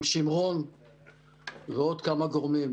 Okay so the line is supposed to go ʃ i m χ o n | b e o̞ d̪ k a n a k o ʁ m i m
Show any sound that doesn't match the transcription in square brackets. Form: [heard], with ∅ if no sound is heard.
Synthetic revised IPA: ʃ i m [ʁ] o n | [v] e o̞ d̪ k a [m] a [ɡ] o ʁ m i m